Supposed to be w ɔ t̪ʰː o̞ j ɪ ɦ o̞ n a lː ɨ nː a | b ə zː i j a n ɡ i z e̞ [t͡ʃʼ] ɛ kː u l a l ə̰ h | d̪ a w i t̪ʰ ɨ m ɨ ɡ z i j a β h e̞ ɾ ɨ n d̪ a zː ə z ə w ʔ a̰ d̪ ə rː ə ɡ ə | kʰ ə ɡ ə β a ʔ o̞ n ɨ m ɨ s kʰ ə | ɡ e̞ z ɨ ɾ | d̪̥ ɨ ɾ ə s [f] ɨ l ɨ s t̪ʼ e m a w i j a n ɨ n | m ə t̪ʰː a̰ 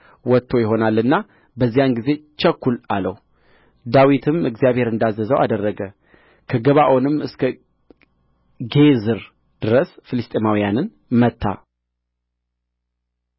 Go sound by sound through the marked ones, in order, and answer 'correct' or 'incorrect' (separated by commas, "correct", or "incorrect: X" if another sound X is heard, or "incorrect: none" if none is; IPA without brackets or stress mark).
incorrect: t͡ʃ, correct